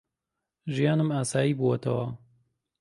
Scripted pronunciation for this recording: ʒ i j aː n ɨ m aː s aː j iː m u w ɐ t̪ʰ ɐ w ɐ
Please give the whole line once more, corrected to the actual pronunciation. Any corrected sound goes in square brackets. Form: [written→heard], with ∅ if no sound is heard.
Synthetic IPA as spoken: ʒ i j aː n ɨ m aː s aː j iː [m→b] u w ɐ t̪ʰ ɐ w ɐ